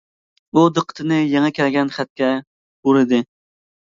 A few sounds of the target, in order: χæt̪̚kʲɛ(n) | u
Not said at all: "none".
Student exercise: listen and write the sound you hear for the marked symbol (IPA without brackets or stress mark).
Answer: none